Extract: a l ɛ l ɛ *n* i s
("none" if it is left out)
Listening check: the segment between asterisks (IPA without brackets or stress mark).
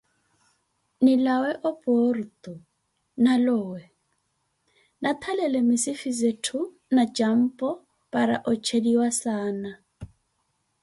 m